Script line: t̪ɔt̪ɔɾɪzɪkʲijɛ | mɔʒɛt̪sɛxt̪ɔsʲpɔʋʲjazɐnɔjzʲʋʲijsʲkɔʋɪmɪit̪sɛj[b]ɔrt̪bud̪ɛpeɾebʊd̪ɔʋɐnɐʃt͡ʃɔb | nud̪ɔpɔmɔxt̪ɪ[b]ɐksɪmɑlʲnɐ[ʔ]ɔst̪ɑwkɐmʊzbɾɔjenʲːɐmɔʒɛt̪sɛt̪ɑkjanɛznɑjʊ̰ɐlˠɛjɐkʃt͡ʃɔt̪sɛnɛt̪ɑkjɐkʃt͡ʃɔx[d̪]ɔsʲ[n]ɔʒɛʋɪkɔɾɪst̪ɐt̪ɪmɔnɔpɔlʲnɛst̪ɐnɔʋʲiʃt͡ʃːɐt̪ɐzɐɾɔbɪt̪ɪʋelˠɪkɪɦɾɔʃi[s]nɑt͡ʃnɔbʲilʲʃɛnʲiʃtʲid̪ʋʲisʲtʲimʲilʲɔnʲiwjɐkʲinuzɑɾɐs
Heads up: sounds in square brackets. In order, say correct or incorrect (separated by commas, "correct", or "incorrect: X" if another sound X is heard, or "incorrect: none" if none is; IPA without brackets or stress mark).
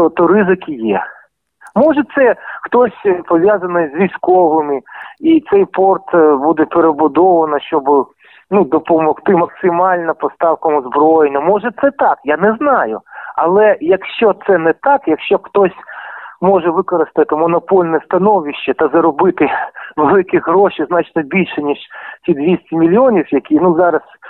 incorrect: p, incorrect: m, incorrect: p, incorrect: t̪, incorrect: m, incorrect: z